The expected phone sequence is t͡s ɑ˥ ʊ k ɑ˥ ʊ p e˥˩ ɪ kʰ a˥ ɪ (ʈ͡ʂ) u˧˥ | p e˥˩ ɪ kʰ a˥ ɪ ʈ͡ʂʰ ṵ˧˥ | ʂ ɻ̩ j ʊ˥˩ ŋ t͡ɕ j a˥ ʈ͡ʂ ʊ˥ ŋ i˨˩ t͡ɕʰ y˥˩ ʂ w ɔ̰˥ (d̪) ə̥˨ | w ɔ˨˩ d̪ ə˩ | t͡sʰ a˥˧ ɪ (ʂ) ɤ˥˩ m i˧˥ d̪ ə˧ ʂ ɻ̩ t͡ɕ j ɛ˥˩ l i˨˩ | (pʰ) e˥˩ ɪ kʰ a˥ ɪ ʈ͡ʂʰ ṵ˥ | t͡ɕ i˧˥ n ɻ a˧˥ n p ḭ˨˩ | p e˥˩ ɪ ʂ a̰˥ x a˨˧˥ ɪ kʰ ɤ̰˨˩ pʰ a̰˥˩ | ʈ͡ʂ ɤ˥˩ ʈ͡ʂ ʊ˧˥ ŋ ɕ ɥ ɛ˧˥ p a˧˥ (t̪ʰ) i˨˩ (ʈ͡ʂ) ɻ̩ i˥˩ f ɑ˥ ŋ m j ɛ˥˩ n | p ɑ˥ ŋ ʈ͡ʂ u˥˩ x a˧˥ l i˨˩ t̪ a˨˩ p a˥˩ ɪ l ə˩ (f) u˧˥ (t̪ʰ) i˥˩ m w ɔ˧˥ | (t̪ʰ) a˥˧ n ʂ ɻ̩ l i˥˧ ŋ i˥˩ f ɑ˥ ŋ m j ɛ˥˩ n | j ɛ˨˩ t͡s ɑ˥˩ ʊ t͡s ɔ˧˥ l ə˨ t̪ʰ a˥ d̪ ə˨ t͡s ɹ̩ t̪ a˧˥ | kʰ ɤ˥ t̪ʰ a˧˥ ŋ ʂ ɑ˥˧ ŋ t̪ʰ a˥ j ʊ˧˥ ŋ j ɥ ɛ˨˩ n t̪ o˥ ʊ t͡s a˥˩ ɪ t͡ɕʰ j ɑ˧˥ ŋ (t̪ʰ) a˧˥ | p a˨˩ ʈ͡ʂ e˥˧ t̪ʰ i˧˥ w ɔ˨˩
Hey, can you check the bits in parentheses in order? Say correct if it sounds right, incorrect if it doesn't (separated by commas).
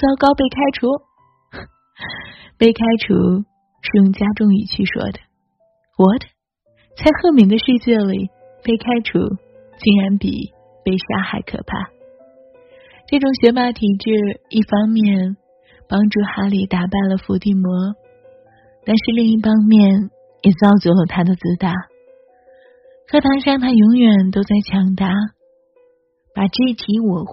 incorrect, correct, incorrect, incorrect, correct, correct, correct, incorrect, incorrect, incorrect